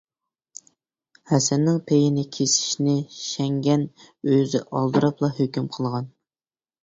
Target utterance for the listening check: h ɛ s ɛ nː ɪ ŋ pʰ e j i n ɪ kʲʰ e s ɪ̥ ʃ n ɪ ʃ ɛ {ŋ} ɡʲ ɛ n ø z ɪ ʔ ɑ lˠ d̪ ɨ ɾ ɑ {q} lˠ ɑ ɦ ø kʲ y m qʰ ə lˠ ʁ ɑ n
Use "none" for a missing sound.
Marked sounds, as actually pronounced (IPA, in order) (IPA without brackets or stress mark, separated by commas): ŋ, p